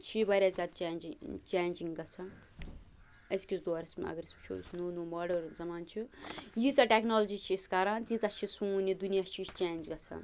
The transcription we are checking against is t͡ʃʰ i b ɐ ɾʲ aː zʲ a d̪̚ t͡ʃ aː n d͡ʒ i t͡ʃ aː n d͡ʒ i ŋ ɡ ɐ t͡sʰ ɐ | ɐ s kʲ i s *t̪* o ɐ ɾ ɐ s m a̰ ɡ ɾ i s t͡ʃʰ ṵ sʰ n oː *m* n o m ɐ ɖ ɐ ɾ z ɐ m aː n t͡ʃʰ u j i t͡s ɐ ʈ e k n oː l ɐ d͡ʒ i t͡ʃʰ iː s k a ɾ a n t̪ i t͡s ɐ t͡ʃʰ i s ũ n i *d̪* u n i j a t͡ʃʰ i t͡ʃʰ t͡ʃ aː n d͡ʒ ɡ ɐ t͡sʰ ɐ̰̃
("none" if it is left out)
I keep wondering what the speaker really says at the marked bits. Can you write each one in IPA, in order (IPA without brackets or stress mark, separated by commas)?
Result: d̪, none, d̪